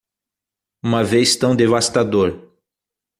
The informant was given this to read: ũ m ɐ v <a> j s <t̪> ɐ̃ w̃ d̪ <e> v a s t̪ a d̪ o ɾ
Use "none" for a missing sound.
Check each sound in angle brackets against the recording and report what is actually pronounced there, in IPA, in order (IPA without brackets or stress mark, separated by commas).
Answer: e, t̪, e